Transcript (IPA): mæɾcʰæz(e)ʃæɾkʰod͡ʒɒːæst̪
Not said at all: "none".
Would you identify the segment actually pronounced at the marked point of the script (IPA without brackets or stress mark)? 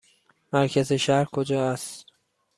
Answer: e